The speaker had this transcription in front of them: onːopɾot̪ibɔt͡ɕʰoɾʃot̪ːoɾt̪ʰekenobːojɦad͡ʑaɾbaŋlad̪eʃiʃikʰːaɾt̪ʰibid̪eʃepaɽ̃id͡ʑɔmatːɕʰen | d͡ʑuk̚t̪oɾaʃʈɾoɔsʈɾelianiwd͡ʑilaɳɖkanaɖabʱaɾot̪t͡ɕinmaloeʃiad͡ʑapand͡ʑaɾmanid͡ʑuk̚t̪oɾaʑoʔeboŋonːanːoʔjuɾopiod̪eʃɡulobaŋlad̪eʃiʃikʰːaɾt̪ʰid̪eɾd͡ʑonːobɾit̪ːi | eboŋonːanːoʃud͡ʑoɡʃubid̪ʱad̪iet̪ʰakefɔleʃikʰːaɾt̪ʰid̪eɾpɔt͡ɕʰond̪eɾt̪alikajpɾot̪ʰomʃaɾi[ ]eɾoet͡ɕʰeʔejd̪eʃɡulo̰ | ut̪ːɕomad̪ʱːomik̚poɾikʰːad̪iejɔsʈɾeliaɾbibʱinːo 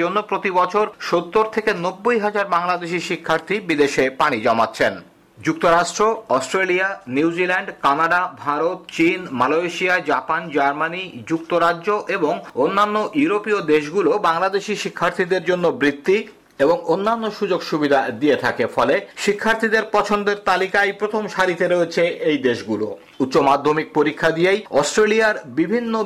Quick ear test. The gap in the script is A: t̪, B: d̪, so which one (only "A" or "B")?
A